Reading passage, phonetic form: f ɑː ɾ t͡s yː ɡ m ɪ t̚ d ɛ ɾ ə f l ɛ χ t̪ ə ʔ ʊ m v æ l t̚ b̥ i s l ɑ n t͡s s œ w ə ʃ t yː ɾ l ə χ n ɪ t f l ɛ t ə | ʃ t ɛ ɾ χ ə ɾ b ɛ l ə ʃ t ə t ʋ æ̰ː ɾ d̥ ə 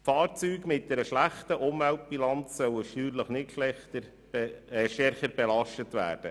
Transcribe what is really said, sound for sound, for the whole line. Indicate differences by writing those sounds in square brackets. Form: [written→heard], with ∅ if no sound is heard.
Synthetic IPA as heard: f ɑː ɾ t͡s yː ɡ m ɪ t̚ d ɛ ɾ ə [f→ʃ] l [ɛ→æ] χ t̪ ə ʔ ʊ m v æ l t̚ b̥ i [s→∅] l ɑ n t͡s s œ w ə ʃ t yː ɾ l ə χ n ɪ t [f→ʃ] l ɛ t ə | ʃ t ɛ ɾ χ ə ɾ b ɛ l [ə→ɑ] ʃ t ə t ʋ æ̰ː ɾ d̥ ə

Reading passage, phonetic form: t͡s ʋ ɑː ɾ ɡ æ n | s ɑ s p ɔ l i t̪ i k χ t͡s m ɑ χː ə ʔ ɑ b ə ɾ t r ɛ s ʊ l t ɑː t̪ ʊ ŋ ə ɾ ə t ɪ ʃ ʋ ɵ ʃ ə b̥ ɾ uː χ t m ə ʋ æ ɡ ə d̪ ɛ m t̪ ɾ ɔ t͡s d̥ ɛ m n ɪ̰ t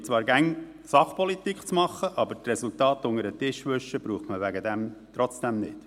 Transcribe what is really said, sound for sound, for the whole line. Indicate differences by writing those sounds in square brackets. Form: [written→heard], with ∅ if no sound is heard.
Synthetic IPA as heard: t͡s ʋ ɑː ɾ ɡ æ [n→ŋ] | s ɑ [s→χ] p ɔ l i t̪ i k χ t͡s m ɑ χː ə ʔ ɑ b ə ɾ t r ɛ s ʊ l t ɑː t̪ ʊ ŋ ə ɾ ə t ɪ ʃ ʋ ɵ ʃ ə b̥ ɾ uː χ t m ə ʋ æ ɡ ə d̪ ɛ m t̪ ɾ ɔ t͡s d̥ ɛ m n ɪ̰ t

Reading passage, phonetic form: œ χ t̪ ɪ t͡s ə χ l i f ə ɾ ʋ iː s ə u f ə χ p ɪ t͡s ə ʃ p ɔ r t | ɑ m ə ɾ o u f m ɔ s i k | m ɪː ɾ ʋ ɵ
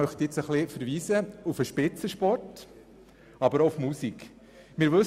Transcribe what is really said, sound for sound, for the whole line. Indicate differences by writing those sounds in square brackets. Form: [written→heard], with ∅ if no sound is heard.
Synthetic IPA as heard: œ χ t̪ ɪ t͡s ə χ l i f ə ɾ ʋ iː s ə u f ə [χ→ʃ] p ɪ t͡s ə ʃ p ɔ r t | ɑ [m→b] ə ɾ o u f m [ɔ→u] s i k | m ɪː ɾ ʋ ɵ

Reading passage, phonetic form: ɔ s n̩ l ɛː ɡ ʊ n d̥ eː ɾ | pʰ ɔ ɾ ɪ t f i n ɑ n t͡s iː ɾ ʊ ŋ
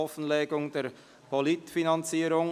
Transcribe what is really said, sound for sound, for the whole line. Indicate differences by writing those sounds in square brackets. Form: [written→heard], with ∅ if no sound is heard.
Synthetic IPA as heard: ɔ [s→f] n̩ l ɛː ɡ ʊ [n→ŋ] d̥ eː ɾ | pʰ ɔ [ɾ→l] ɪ t f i n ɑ n t͡s iː ɾ ʊ ŋ

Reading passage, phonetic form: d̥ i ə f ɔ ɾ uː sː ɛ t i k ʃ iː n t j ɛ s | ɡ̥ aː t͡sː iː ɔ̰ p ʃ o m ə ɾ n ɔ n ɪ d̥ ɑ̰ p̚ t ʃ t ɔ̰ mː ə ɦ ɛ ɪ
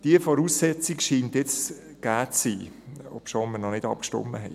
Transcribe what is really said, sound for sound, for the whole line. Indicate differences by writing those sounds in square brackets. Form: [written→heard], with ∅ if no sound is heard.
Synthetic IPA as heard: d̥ i ə f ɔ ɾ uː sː ɛ [t→t͡s] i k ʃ iː n t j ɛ [s→t͡s] | ɡ̥ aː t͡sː iː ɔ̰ p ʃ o m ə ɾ n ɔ n ɪ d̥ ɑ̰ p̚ [t→k] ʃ t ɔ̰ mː ə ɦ ɛ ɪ

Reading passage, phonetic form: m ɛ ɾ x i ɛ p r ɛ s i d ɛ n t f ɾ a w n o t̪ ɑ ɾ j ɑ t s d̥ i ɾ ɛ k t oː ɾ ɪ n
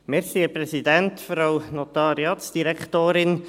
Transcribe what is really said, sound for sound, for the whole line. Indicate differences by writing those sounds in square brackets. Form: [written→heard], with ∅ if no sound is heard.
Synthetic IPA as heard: m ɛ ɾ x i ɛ p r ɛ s i d ɛ n t f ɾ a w n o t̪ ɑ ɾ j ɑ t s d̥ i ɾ ɛ k t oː ɾ ɪ n

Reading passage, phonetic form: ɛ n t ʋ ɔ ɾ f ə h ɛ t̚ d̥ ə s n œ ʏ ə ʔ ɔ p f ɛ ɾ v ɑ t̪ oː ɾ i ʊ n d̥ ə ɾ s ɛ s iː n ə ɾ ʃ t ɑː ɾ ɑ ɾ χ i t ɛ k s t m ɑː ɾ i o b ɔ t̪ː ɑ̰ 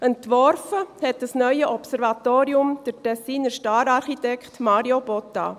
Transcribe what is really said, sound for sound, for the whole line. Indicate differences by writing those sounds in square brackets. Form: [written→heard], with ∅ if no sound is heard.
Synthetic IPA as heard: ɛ n t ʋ ɔ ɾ f ə h ɛ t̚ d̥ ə s n œ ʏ ə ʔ ɔ p [f→s] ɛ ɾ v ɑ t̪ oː ɾ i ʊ [n→m] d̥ ə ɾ [s→t] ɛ s iː n ə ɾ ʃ t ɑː ɾ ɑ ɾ χ i t ɛ k [s→χ] t m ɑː ɾ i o b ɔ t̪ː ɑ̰

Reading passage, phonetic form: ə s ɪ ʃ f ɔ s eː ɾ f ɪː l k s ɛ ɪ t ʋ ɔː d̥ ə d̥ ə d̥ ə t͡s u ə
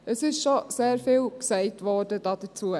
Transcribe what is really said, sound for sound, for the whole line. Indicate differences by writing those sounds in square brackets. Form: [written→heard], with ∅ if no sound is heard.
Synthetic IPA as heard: ə s ɪ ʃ [f→ʃ] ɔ s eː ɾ f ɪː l k s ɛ ɪ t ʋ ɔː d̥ ə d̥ [ə→ɑ] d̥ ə t͡s u ə

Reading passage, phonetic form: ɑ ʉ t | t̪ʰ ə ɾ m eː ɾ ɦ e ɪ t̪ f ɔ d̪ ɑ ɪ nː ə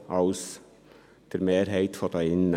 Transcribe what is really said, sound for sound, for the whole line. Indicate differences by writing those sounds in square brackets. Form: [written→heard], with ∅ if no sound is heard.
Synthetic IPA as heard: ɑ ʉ [t→s] | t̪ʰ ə ɾ m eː ɾ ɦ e ɪ t̪ f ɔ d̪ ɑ ɪ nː ə

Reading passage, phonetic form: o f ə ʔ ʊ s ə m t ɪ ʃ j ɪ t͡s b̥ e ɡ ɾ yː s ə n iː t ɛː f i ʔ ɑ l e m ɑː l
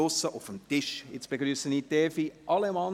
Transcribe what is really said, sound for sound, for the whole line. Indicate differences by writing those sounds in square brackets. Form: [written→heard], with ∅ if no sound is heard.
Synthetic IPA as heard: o [f→s] ə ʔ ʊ [s→f] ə m t ɪ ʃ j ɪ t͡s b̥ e ɡ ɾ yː s ə n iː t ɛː f i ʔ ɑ l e m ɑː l

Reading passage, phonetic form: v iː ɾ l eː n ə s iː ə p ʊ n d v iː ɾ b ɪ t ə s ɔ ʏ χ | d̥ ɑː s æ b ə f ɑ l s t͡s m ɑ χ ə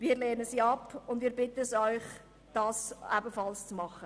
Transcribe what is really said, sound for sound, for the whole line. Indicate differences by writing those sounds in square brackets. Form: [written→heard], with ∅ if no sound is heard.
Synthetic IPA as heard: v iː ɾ l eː n ə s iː [ə→ɑ] p ʊ n d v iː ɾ b ɪ t ə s ɔ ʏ χ | d̥ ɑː s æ b ə f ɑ l s t͡s m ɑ χ ə

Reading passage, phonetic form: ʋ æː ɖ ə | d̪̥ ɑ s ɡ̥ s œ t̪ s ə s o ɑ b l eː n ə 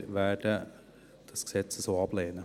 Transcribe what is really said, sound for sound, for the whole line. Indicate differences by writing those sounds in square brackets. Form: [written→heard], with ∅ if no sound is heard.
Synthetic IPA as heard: ʋ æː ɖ ə | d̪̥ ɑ s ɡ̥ s [œ→ɛ] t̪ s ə s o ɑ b l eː n ə

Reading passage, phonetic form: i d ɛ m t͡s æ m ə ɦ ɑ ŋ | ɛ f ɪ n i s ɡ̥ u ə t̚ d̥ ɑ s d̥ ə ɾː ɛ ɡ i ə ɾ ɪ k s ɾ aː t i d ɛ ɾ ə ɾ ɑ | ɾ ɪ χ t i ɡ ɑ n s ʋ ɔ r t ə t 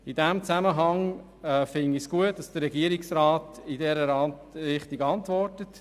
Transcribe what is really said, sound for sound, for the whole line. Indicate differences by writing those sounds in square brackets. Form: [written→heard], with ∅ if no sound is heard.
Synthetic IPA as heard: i d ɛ m t͡s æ m ə ɦ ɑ ŋ | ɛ f ɪ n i s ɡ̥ u ə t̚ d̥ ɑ s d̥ ə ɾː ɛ ɡ i ə ɾ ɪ k s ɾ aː t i d ɛ ɾ ə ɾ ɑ | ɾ ɪ χ t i ɡ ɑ n [s→t] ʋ ɔ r t ə t

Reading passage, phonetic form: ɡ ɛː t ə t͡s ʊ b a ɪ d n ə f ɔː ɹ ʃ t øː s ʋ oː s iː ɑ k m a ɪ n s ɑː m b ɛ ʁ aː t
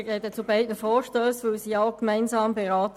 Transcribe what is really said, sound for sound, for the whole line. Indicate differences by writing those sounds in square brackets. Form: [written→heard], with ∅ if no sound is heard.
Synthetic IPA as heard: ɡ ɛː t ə t͡s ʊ b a ɪ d n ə f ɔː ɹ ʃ t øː s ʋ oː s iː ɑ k m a ɪ n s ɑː m b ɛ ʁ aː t

